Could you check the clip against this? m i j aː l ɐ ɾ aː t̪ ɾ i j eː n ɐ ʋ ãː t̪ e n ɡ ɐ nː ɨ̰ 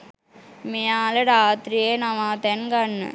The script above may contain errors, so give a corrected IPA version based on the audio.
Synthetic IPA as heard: m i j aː l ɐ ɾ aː t̪ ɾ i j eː n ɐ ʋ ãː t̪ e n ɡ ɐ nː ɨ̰